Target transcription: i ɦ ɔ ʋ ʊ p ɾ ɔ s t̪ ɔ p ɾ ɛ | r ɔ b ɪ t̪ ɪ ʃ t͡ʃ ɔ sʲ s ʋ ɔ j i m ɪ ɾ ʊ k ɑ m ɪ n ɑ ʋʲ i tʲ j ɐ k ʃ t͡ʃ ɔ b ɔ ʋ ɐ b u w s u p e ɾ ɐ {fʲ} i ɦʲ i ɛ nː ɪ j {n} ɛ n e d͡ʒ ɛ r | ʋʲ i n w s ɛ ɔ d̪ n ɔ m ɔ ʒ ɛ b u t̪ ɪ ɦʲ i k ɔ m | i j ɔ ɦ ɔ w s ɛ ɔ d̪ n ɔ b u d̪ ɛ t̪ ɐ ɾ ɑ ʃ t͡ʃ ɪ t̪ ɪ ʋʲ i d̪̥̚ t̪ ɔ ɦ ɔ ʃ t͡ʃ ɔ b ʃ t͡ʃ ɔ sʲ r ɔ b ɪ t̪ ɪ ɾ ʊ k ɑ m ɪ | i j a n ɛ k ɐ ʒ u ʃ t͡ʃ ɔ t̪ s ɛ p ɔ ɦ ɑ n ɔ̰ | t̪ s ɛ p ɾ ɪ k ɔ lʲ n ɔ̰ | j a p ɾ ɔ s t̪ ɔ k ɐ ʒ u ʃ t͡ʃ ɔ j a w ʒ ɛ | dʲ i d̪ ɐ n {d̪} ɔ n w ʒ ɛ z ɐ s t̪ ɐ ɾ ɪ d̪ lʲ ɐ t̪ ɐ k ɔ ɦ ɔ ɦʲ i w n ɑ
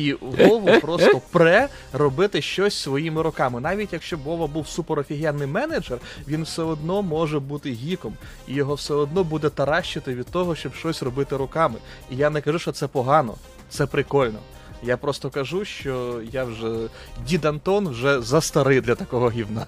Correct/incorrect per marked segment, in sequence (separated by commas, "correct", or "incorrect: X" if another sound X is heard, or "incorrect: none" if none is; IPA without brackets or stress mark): correct, incorrect: m, incorrect: t̪